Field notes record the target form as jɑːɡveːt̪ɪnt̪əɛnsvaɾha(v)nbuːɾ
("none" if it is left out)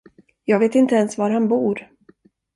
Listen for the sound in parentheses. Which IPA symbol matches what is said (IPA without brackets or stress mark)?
none